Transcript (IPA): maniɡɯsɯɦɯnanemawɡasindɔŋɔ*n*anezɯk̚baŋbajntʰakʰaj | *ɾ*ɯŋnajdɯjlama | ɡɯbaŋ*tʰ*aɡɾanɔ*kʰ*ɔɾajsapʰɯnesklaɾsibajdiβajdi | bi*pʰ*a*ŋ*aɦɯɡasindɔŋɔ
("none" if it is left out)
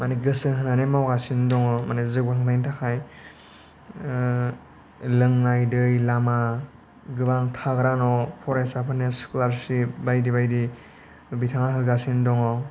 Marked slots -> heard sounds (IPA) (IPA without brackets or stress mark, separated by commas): m, l, tʰ, pʰ, tʰ, ŋ